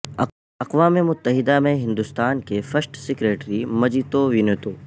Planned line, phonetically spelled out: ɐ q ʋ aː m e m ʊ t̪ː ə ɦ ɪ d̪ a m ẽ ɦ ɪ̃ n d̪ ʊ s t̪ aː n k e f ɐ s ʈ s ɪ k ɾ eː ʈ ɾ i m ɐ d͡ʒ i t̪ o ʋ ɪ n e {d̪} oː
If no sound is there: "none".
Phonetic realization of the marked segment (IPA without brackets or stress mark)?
t̪